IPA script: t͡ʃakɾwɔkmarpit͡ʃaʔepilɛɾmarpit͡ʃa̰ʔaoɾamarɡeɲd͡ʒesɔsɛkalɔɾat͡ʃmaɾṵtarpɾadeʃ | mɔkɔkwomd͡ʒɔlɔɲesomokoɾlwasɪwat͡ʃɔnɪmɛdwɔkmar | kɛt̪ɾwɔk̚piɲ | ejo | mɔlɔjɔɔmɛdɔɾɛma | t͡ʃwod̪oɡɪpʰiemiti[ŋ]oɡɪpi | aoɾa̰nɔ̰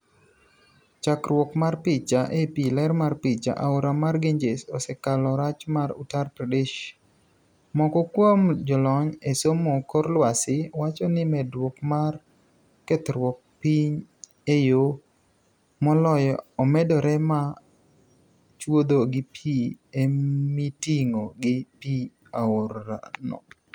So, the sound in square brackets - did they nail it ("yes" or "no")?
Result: yes